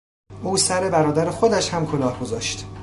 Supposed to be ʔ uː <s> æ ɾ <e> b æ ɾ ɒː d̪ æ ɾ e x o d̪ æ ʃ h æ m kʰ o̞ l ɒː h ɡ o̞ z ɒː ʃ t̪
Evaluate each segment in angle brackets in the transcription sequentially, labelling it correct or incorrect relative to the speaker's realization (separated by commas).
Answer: correct, correct